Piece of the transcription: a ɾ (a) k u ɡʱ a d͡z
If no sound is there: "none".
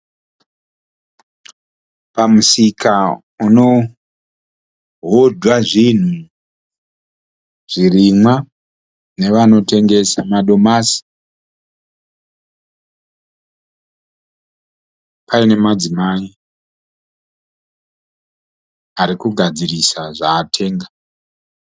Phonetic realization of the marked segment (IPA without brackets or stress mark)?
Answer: i